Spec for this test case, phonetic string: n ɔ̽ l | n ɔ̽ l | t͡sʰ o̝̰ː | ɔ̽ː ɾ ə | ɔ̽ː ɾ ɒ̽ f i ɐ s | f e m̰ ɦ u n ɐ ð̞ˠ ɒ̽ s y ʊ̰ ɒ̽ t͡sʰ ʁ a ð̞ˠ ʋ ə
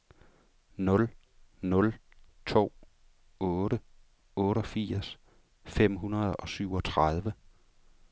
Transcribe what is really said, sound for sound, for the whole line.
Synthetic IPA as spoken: n ɔ̽ l | n ɔ̽ l | t͡sʰ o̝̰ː | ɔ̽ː ɾ ə | ɔ̽ː ɾ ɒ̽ f i ɐ s | f e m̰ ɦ u n ɐ ð̞ˠ ɒ̽ s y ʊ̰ ɒ̽ t͡sʰ ʁ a ð̞ˠ ʋ ə